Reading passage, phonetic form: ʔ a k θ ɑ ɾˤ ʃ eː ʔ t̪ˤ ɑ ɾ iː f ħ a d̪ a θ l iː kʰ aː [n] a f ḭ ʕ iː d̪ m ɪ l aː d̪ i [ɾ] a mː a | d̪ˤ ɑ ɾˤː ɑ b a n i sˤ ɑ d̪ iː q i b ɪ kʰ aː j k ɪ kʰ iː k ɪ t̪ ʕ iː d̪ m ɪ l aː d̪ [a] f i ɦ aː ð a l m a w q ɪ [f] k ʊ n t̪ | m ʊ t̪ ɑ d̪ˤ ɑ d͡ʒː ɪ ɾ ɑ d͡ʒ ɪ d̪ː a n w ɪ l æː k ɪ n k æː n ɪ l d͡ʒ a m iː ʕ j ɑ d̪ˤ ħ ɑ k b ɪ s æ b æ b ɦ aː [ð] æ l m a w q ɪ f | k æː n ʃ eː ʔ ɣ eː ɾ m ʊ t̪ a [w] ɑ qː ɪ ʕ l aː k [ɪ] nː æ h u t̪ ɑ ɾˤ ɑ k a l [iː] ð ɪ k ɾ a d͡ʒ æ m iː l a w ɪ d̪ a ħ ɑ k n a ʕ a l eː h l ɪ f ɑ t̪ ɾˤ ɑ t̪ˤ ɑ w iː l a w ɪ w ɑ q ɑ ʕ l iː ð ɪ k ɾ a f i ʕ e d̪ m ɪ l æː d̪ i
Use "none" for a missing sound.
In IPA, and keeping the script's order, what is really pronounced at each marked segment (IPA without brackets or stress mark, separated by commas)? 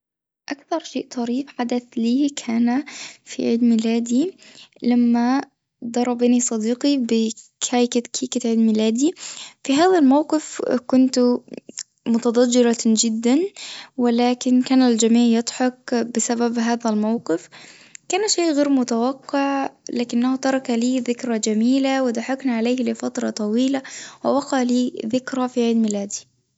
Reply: n, l, i, f, ð, w, ɪ, iː